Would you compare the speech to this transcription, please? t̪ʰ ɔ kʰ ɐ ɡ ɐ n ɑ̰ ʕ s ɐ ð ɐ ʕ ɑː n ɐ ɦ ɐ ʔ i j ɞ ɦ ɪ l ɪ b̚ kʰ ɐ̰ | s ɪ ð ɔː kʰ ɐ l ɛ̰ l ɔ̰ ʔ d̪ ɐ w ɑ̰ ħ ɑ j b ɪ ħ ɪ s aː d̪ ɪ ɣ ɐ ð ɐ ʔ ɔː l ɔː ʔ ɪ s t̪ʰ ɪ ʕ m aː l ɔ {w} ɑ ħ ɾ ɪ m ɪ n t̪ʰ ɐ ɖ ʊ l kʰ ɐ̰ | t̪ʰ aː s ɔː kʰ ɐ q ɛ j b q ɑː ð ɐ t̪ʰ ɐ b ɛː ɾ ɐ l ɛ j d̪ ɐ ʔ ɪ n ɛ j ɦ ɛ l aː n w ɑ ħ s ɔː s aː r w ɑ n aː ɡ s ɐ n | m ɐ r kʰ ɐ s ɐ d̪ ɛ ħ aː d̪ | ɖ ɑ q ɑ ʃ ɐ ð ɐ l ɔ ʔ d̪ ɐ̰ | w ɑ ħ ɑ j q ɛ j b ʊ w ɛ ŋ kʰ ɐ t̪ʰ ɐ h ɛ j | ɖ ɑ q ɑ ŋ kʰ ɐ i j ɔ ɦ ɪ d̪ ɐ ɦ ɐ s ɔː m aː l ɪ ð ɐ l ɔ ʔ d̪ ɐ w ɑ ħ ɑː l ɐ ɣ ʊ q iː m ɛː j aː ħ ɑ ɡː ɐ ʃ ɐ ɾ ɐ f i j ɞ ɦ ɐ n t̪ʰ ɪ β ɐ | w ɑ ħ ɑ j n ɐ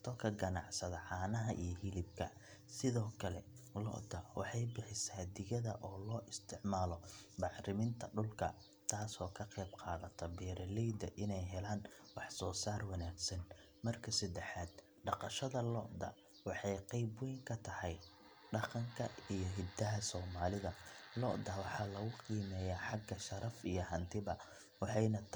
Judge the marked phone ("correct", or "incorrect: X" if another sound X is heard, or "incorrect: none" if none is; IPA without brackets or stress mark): incorrect: b